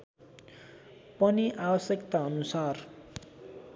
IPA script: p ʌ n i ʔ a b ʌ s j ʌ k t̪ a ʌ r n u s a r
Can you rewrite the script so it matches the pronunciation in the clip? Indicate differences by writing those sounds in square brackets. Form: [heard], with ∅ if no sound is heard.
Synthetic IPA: p ʌ n i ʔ a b ʌ s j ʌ k t̪ a ʌ [∅] n u s a r